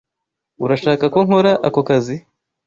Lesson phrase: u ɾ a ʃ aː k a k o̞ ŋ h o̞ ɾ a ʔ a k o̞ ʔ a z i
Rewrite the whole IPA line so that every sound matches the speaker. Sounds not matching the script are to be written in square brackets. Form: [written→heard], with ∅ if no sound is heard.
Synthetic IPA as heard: u ɾ a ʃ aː k a k o̞ ŋ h o̞ ɾ a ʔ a k o̞ [ʔ→k] a z i

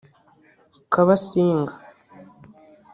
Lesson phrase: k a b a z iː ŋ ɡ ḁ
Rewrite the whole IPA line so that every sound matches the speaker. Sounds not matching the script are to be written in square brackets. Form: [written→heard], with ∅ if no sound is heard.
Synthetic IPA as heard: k a [b→β] a [z→s] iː ŋ ɡ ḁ

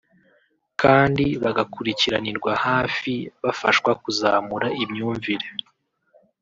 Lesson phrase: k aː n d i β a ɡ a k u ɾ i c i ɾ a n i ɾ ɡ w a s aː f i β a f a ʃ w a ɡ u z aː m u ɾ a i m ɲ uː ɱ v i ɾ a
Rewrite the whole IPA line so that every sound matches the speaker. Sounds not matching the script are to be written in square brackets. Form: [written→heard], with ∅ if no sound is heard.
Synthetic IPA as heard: k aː n d i β a ɡ a k u ɾ i c i ɾ a n i ɾ ɡ w a [s→h] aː f i β a f a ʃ w a [ɡ→k] u z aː m u ɾ a i m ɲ uː ɱ v i ɾ [a→e]

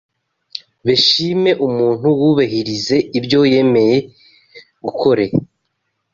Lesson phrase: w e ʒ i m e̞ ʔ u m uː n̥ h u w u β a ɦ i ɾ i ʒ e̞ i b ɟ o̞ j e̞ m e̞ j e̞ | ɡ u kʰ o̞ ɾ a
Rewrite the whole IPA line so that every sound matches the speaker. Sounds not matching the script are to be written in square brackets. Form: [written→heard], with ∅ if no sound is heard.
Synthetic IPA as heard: [w→β] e [ʒ→ʃ] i m e̞ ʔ u m uː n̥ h u w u β a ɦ i ɾ i [ʒ→z] e̞ i b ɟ o̞ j e̞ m e̞ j e̞ | ɡ u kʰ o̞ ɾ [a→e]

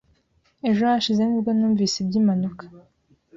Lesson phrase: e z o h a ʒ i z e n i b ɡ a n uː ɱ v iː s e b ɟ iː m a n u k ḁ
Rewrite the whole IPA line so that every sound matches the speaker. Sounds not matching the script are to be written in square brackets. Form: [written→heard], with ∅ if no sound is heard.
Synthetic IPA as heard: e [z→ʒ] o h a [ʒ→ʃ] i z e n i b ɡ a n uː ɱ v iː s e b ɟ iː m a n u k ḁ

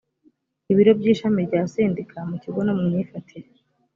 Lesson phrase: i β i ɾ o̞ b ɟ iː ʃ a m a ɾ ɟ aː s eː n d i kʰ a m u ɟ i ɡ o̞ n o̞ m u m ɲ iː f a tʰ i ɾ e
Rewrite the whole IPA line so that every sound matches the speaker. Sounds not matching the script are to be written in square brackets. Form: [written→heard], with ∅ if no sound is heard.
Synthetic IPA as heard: i β i ɾ o̞ b ɟ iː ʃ a m [a→i] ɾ ɟ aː s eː n d i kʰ a m u [ɟ→c] i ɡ o̞ n o̞ m u m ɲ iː f a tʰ i ɾ e

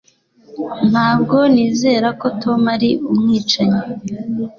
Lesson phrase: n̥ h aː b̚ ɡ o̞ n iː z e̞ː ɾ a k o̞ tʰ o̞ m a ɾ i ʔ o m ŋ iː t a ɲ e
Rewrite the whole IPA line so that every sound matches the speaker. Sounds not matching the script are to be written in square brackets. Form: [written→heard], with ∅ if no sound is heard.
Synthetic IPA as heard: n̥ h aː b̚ ɡ o̞ n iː z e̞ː ɾ a k o̞ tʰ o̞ m a ɾ i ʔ [o→u] m ŋ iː [t→t͡ʃ] a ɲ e

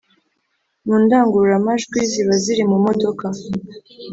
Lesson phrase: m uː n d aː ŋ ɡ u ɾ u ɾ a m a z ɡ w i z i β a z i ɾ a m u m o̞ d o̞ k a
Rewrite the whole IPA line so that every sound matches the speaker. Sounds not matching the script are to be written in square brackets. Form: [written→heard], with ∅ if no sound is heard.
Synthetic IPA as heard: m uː n d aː ŋ ɡ u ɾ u ɾ a m a [z→ʒ] ɡ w i z i β a z i ɾ [a→i] m u m o̞ d o̞ k a

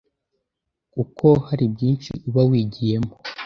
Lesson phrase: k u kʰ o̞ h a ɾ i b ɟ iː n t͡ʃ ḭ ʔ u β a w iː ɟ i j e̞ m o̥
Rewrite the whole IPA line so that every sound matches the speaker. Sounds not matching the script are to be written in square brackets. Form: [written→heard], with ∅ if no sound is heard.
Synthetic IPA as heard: k u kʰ o̞ h a ɾ i b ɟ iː n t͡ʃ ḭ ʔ u β a w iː ɟ i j e̞ m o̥

